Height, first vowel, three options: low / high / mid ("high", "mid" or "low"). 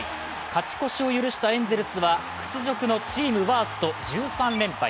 low